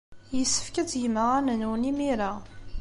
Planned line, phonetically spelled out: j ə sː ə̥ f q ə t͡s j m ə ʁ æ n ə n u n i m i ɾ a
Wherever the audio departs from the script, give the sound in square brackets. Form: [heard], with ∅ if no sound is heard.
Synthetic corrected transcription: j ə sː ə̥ f [k] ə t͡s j m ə ʁ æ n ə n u n i m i ɾ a